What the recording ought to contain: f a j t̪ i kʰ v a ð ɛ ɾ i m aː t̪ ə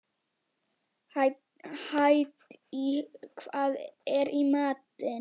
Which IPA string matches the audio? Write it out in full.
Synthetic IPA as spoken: h a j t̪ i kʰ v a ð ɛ ɾ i m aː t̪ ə